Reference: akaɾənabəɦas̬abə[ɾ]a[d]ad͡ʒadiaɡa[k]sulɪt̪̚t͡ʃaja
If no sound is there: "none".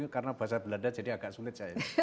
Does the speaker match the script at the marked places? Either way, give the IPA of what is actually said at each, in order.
l, d, ʔ

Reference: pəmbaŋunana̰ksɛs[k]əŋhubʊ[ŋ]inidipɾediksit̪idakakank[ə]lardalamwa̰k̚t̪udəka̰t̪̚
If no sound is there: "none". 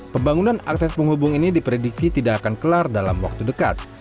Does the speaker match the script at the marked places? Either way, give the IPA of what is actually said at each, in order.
p, ŋ, ə

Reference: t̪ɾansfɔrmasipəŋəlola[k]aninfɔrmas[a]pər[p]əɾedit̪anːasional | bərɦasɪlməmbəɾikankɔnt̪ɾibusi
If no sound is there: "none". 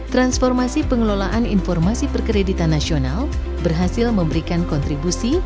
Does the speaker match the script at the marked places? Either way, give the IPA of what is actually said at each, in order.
ʔ, i, k

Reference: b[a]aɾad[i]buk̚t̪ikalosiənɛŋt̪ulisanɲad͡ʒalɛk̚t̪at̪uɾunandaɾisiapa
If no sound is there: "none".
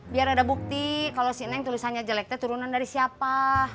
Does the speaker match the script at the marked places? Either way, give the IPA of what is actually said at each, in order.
i, a

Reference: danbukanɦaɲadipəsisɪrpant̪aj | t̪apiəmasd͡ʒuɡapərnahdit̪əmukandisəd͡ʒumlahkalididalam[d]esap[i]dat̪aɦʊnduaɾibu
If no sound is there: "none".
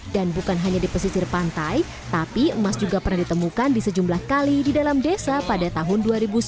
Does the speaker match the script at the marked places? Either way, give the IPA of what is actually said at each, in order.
d, a

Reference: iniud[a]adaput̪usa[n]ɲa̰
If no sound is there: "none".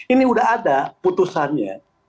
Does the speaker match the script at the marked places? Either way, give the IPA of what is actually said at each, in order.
a, n

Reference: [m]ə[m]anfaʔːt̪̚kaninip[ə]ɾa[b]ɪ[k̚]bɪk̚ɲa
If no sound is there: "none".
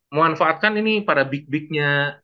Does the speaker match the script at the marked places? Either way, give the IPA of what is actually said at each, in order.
m, m, a, b, k̚

